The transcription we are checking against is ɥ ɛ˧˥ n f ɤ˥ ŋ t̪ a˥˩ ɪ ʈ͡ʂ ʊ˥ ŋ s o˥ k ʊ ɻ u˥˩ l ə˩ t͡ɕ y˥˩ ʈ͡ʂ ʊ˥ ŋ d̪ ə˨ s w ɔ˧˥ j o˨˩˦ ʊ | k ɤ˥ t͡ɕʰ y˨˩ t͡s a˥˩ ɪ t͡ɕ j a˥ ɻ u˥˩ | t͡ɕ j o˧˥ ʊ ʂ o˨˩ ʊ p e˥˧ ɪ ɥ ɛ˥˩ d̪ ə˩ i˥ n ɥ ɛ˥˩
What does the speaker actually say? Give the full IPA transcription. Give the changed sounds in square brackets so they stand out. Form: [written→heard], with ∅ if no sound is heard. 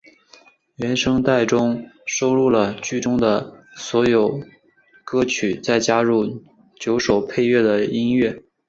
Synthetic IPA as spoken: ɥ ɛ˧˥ n [f→ʂ] ɤ˥ ŋ t̪ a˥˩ ɪ ʈ͡ʂ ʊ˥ ŋ [s→ʂ] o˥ [k→∅] ʊ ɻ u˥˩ l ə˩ t͡ɕ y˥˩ ʈ͡ʂ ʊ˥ ŋ d̪ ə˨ s w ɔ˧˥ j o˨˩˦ ʊ | k ɤ˥ t͡ɕʰ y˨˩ t͡s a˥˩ ɪ t͡ɕ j a˥ ɻ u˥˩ | t͡ɕ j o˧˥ ʊ ʂ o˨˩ ʊ [p→pʰ] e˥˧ ɪ ɥ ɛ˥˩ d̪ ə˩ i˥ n ɥ ɛ˥˩